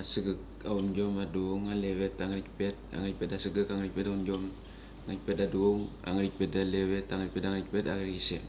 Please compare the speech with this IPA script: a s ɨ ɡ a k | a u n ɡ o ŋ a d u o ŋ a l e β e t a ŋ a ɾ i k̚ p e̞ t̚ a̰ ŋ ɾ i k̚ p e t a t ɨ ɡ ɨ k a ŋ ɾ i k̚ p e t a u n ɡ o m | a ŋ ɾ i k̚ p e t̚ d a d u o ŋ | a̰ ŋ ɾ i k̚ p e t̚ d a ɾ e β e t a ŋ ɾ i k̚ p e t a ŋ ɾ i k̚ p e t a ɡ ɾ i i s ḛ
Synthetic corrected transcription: a s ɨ ɡ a k | a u n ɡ o m a d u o ŋ a l e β e t a ŋ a ɾ i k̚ p e̞ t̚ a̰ ŋ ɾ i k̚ p e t a s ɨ ɡ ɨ k a ŋ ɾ i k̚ p e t a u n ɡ o m | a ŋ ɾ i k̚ p e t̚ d a d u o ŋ | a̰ ŋ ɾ i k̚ p e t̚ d a l e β e t a ŋ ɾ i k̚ p e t a ŋ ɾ i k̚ p e t a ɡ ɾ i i s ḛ